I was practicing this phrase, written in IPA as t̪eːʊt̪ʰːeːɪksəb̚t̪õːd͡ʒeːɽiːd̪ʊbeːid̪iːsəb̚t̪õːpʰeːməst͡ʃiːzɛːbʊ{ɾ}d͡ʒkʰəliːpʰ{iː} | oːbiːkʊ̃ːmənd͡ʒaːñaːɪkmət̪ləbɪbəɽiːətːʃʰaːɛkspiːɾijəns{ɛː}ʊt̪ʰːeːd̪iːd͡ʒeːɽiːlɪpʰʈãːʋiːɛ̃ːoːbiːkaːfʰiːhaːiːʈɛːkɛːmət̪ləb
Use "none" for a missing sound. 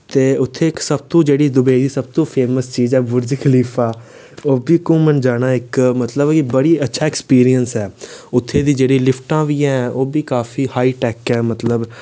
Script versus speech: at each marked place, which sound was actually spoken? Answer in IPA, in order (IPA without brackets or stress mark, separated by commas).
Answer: ɾ, aː, ɛː